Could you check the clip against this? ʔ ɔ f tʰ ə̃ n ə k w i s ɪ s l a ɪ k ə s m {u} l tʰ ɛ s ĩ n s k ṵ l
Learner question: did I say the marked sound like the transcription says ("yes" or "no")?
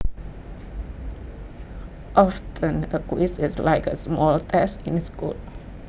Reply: no